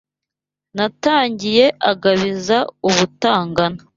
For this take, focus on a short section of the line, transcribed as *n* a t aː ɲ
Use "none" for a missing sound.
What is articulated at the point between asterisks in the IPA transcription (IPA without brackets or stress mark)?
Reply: n